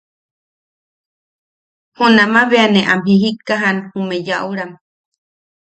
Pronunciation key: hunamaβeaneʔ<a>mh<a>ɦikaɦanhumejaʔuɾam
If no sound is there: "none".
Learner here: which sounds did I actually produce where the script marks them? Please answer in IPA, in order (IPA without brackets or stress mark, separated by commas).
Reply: a, i